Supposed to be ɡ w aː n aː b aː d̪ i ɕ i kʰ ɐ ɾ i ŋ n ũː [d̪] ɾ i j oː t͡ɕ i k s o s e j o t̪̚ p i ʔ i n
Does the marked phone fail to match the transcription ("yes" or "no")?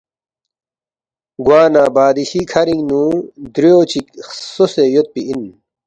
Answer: no